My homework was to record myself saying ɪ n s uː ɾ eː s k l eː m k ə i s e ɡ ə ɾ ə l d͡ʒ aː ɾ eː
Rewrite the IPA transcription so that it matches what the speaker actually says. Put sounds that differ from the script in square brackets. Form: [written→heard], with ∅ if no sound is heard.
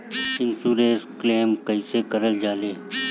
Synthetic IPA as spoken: ɪ n s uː ɾ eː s k l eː m k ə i s e [ɡ→k] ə ɾ ə l d͡ʒ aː [ɾ→l] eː